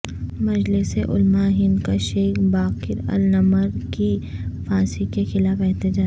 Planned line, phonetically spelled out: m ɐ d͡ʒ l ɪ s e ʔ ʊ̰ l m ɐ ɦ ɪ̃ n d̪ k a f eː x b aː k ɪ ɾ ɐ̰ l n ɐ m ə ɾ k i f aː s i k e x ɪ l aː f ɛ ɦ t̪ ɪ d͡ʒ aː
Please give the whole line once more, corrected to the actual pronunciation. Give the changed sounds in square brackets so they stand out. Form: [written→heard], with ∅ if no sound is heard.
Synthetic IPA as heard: m ɐ d͡ʒ l ɪ s e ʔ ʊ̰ l m [ɐ→a] ɦ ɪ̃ n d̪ k a [f→ʃ] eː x b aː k ɪ ɾ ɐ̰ l n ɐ m ə ɾ k i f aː s i k e x ɪ l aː f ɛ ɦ t̪ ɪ d͡ʒ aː